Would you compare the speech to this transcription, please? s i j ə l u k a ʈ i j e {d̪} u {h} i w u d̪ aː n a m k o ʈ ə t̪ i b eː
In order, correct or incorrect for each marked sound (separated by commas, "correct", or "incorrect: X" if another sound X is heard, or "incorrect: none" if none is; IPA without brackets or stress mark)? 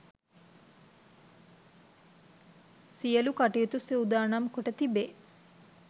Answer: incorrect: t̪, incorrect: s